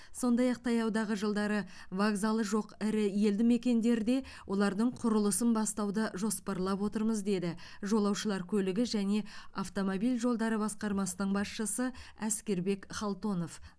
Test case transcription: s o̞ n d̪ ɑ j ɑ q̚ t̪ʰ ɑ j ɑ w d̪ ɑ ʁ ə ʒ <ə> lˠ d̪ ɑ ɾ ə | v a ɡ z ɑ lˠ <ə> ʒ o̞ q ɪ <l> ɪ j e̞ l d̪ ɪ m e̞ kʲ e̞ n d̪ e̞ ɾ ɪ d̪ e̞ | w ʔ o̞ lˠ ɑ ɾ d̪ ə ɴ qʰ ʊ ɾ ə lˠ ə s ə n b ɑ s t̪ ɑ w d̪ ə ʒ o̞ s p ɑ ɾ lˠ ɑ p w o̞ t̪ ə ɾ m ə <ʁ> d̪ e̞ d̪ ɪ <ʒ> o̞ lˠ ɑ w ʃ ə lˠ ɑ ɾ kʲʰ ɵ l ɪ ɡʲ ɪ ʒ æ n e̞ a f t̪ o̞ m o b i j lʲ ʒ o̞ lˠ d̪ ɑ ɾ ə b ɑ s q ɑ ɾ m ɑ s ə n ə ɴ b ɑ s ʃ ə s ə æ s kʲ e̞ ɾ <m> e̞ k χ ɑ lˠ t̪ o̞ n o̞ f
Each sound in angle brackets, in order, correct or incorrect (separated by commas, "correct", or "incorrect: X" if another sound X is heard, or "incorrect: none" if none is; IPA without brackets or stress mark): correct, correct, incorrect: ɾ, incorrect: z, correct, incorrect: b